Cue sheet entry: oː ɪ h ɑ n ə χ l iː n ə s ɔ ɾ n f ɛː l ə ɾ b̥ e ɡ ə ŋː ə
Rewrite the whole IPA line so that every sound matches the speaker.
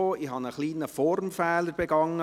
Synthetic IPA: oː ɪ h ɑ n ə χ l iː n ə f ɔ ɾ m f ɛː l ə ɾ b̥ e ɡ ɑ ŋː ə